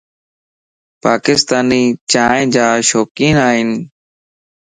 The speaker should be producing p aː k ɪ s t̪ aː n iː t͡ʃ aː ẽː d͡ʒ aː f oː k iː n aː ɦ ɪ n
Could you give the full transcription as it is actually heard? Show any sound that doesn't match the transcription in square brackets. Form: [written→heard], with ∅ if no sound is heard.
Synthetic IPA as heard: p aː k ɪ s t̪ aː n iː t͡ʃ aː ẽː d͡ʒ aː [f→ʃ] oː k iː n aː ɦ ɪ n